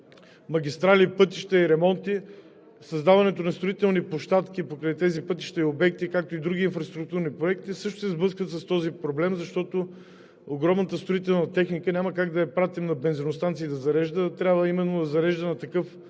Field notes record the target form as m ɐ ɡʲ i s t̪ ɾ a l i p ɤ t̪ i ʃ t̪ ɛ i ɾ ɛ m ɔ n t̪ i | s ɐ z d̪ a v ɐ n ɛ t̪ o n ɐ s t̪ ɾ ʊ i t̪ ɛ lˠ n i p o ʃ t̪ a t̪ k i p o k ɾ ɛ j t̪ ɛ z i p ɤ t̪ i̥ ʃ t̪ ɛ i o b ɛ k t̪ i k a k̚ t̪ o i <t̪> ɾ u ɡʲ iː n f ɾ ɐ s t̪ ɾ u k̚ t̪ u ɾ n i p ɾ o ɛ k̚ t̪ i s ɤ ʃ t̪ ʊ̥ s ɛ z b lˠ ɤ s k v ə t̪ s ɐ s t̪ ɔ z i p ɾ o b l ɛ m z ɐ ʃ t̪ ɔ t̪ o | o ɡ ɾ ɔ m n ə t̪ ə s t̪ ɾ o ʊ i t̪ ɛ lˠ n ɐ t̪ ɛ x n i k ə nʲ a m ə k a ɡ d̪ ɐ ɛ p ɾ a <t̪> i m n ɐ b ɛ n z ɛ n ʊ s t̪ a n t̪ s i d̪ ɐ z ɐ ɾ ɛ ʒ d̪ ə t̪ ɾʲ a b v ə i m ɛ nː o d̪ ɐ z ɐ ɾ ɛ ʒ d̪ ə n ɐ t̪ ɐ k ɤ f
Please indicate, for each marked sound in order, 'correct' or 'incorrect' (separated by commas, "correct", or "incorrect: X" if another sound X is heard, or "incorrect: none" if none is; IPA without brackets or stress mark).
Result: incorrect: d̪, correct